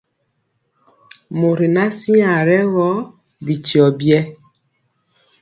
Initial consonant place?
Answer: labial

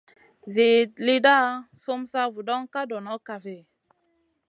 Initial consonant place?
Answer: alveolar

